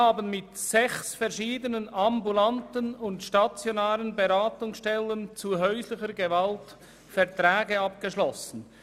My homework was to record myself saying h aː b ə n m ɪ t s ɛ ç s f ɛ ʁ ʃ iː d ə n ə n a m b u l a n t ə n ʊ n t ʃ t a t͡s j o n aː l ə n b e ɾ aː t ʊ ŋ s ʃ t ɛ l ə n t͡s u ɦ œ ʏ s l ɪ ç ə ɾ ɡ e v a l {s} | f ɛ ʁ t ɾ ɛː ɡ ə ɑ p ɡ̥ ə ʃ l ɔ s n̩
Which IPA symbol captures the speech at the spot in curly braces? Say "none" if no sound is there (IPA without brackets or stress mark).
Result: t